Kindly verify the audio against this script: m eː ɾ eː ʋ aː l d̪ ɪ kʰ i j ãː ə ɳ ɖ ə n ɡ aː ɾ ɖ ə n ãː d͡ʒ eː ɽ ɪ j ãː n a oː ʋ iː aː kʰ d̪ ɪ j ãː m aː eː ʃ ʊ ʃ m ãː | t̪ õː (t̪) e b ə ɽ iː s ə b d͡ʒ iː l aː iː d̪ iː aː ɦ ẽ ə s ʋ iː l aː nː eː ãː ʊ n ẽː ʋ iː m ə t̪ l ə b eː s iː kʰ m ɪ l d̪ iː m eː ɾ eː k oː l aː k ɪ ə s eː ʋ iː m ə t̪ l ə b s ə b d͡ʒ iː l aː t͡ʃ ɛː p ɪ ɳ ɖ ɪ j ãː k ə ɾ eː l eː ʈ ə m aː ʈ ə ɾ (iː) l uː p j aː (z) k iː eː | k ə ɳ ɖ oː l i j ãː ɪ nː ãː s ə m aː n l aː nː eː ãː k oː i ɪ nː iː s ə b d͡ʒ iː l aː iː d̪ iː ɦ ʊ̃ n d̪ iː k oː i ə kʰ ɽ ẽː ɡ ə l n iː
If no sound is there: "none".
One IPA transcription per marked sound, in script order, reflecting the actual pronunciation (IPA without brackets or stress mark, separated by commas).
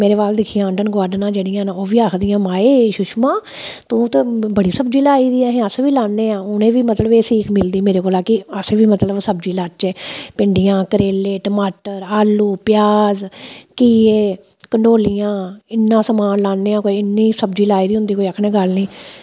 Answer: t̪, aː, z